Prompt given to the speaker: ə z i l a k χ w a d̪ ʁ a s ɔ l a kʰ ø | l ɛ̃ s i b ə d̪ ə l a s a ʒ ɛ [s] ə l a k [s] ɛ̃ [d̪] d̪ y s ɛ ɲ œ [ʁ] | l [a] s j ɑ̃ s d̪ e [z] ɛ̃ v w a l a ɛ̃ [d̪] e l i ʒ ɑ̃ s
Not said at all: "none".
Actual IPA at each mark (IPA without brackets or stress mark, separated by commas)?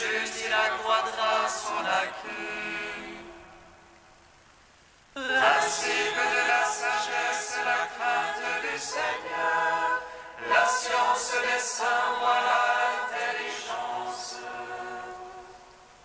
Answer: s, χ, t̪, ʁ, a, s, t̪